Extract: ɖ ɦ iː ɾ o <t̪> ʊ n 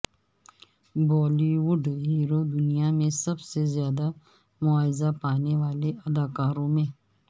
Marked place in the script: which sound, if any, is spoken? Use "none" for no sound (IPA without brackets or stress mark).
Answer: d̪